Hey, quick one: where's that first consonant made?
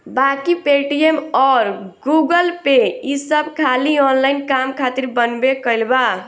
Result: lips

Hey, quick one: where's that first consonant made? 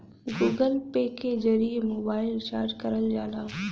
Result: velum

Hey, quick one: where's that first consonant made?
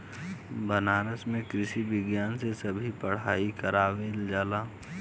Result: lips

